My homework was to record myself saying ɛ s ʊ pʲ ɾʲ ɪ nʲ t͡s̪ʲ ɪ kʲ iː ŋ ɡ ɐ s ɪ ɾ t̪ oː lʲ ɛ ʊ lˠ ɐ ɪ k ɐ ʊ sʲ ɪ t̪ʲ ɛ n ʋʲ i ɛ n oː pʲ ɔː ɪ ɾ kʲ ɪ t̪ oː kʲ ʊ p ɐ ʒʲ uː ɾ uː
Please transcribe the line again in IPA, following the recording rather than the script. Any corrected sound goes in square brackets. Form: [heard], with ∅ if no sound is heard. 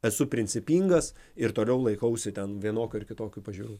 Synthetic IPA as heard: ɛ s ʊ pʲ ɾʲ ɪ nʲ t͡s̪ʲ ɪ [pʲ] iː ŋ ɡ ɐ s ɪ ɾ t̪ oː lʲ ɛ ʊ lˠ ɐ ɪ k ɐ ʊ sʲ ɪ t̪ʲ ɛ n ʋʲ i ɛ n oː [kʲ] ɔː ɪ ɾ kʲ ɪ t̪ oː kʲ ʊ p ɐ ʒʲ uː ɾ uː